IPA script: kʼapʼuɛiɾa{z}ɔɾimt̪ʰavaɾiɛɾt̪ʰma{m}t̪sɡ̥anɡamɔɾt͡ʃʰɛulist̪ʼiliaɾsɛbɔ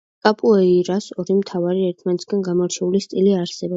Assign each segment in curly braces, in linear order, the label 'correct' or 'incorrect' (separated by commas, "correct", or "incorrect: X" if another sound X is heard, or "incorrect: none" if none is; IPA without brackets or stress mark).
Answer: incorrect: s, incorrect: n